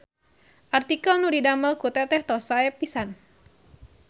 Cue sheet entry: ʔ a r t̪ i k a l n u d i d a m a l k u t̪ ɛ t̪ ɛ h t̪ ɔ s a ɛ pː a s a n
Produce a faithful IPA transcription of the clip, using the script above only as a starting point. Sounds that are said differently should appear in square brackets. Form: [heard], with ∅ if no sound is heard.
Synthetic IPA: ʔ a r t̪ i k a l n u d i d a m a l k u t̪ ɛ t̪ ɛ h t̪ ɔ s a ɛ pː [i] s a n